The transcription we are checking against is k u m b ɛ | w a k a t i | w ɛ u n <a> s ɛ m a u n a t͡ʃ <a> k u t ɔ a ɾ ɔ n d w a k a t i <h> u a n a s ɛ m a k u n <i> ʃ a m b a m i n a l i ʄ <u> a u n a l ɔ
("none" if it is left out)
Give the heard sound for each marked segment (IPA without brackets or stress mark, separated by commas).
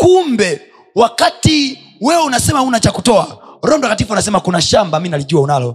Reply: a, a, f, a, u